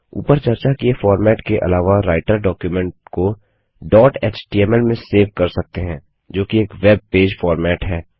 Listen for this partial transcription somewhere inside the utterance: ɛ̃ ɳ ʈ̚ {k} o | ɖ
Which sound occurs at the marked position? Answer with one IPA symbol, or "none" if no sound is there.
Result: k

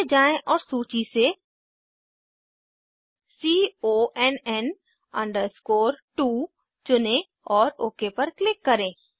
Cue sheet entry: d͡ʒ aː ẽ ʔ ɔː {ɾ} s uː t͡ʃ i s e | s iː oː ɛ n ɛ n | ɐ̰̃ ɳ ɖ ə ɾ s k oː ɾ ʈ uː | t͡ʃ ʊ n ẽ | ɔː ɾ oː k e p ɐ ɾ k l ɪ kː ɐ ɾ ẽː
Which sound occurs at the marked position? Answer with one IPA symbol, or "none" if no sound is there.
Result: ɾ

